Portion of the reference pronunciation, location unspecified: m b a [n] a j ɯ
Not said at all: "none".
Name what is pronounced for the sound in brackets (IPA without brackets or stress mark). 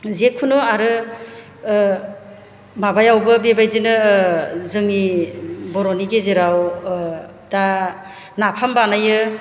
n